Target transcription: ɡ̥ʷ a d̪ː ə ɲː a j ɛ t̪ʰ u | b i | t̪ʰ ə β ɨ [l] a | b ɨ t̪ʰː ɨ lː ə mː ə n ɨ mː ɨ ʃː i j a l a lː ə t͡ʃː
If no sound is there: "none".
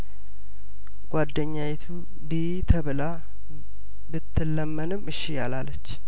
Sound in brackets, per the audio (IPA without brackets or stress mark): l